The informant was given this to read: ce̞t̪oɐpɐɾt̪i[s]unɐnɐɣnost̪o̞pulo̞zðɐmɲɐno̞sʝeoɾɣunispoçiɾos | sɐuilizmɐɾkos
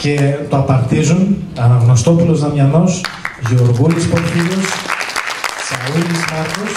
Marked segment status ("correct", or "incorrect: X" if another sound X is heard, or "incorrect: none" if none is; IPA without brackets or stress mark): incorrect: z